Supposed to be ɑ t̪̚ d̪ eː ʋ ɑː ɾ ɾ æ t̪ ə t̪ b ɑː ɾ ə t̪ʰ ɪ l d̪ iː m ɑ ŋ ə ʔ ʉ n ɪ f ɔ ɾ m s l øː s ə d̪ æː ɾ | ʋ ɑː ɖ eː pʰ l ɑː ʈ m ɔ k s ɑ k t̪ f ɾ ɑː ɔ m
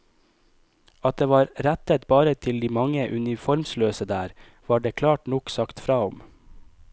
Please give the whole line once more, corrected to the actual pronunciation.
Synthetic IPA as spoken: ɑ t̪̚ d̪ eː ʋ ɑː ɾ ɾ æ t̪ ə t̪ b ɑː ɾ ə t̪ʰ ɪ l d̪ iː m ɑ ŋ ə ʔ ʉ n ɪ f ɔ ɾ m s l øː s ə d̪ æː ɾ | ʋ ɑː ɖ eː kʰ l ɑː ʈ n ɔ k s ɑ k t̪ f ɾ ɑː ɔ m